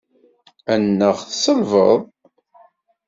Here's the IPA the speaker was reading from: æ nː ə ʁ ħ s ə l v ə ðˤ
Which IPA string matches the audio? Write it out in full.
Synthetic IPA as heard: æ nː ə ʁ θ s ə l v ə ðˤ